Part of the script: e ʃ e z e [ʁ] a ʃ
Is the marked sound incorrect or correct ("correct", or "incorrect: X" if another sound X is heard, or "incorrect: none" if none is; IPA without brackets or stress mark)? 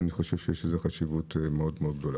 incorrect: χ